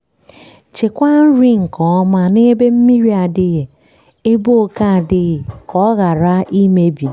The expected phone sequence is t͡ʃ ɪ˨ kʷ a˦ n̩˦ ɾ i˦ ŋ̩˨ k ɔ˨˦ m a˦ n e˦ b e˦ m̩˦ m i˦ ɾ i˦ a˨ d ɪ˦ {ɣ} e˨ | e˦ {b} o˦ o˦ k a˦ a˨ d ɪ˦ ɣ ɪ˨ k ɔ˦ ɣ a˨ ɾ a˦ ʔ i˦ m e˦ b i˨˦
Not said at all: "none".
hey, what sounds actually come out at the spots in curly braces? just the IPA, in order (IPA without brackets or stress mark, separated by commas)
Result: ɣ, b